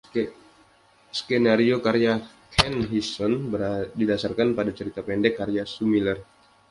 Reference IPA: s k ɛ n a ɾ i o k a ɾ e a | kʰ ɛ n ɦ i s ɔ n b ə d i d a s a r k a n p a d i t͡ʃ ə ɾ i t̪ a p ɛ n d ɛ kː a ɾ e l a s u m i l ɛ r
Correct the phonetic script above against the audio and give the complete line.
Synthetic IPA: s k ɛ n a ɾ i o k a ɾ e a | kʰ ɛ n ɦ i s ɔ n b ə d i d a s a r k a n p a d a t͡ʃ ə ɾ i t̪ a p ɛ n d ɛ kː a ɾ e a s u m i l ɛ r